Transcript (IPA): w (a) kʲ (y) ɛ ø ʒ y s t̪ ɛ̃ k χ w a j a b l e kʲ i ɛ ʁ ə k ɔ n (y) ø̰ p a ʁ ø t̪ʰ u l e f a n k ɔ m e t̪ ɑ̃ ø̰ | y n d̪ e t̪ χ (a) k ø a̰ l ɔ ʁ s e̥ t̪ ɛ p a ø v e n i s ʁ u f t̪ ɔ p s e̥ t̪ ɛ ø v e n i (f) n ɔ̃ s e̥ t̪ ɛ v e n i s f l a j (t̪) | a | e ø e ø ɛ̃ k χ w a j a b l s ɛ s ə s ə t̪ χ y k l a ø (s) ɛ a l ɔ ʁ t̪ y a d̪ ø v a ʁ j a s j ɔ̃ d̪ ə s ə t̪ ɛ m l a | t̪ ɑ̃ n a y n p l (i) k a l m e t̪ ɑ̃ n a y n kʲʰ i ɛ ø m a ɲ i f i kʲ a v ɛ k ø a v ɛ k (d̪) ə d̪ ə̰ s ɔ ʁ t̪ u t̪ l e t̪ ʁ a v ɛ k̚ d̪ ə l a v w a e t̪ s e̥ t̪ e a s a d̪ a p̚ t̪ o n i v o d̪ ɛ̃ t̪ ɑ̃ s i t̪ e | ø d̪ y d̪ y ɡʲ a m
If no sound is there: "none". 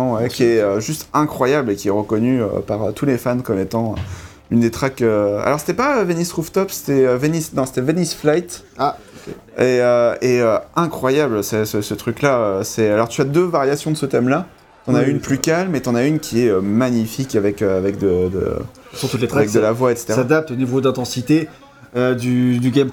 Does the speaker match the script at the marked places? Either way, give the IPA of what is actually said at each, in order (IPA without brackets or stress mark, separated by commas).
ɛ, i, y, a, s, t̪, s, y, d̪